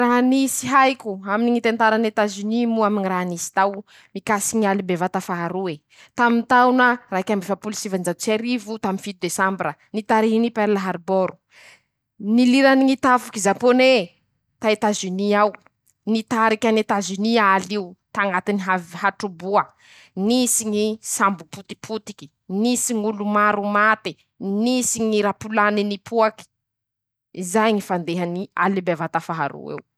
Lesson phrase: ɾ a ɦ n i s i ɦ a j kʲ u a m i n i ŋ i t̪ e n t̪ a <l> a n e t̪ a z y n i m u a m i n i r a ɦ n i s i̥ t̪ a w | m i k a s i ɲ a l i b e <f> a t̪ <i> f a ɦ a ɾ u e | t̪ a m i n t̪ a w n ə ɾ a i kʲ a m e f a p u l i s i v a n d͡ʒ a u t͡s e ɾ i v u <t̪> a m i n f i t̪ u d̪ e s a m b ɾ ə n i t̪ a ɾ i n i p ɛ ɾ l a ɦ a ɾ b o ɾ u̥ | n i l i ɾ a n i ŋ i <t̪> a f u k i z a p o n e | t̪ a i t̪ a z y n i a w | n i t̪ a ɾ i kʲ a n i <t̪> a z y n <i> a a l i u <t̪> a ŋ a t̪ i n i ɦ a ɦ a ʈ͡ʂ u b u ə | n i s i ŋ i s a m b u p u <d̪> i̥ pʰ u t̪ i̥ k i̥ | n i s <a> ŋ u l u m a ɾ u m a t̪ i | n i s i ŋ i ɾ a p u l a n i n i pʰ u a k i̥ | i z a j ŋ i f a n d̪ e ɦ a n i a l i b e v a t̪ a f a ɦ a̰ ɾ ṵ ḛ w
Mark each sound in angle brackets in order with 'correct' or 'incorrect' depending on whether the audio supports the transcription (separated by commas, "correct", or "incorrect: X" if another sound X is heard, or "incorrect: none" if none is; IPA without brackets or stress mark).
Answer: incorrect: ɾ, incorrect: v, incorrect: a, correct, correct, correct, correct, correct, incorrect: t̪, incorrect: i